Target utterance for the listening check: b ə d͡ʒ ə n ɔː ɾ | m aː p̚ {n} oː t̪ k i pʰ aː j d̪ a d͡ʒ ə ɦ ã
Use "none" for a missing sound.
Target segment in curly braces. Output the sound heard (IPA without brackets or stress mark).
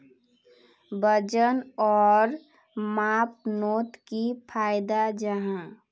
n